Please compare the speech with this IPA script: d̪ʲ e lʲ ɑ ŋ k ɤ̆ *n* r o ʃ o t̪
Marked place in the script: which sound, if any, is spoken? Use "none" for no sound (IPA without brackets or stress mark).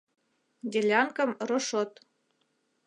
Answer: m